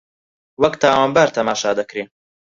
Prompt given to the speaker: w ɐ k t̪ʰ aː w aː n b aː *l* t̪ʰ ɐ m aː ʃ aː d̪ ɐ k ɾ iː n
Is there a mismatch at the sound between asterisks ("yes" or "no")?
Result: yes